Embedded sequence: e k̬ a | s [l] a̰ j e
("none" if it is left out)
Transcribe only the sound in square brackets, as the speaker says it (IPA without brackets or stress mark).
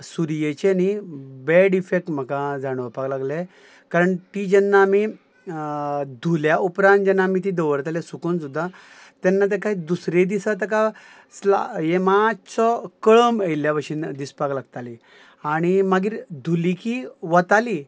l